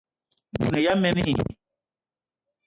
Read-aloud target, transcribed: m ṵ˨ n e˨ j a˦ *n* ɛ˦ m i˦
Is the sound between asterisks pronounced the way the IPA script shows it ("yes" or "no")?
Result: no